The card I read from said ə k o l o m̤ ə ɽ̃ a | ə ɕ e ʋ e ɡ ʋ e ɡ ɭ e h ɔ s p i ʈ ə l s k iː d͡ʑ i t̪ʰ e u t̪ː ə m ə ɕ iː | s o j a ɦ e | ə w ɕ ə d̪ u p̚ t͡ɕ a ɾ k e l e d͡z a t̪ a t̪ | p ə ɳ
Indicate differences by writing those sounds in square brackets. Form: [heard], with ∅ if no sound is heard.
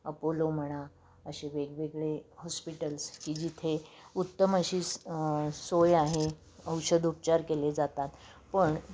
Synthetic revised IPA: ə [p] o l o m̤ ə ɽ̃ a | ə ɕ e ʋ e ɡ ʋ e ɡ ɭ e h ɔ s p i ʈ ə l s k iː d͡ʑ i t̪ʰ e u t̪ː ə m ə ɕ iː | s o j a ɦ e | ə w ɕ ə d̪ u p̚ t͡ɕ a ɾ k e l e d͡z a t̪ a t̪ | p ə ɳ